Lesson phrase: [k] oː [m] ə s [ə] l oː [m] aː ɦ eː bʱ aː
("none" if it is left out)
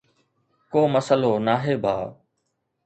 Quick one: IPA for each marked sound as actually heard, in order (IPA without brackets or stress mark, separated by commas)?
k, m, ə, n